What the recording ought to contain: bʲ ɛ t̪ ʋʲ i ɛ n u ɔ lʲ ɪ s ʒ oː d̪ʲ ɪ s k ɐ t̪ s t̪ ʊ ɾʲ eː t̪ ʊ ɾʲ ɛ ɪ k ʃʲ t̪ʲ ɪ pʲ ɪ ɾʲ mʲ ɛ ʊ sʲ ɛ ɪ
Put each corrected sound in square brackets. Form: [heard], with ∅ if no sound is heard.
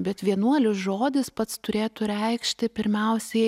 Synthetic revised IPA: bʲ ɛ t̪ ʋʲ i ɛ n u ɔ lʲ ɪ s ʒ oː d̪ʲ ɪ s [p] ɐ t̪ s t̪ ʊ ɾʲ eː t̪ ʊ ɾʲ ɛ ɪ k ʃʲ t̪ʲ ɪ pʲ ɪ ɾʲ mʲ ɛ ʊ sʲ ɛ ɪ